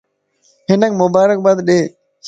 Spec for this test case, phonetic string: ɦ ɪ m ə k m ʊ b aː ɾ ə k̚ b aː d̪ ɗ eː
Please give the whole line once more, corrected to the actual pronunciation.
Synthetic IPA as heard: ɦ ɪ n ə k m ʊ b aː ɾ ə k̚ b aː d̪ ɗ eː